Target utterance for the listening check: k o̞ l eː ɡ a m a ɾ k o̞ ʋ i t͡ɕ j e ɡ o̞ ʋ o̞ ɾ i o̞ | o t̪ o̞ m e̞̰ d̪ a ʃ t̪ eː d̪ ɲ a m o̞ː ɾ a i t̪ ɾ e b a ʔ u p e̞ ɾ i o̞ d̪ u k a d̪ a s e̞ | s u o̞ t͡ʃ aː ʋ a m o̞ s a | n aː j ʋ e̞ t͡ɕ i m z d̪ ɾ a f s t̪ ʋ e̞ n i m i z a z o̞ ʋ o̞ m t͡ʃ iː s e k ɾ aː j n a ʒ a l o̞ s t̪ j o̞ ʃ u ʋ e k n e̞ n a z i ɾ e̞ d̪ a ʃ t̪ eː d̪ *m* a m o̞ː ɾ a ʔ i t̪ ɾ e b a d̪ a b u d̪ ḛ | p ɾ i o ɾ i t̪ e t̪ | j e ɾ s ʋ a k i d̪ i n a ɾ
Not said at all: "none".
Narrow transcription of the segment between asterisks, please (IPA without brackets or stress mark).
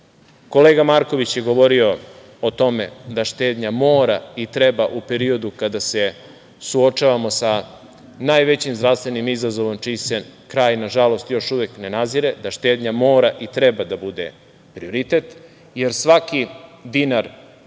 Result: ɲ